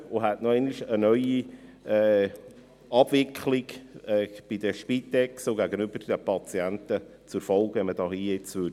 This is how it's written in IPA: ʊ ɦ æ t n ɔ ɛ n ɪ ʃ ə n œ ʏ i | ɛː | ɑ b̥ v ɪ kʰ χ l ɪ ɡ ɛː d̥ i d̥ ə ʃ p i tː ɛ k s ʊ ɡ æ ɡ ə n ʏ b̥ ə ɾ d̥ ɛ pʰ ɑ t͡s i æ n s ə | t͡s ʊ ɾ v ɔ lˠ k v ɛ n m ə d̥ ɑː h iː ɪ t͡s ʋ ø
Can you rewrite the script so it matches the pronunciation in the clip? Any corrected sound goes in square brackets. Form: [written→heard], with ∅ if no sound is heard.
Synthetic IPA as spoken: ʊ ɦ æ t n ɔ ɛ n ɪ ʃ ə n œ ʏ i | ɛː | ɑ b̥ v ɪ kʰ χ l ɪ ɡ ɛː [d̥→b̥] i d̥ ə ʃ p i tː ɛ k s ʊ ɡ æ ɡ ə n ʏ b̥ ə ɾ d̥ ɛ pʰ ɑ t͡s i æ n [s→t] ə | t͡s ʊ ɾ [v→f] ɔ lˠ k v ɛ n m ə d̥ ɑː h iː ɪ t͡s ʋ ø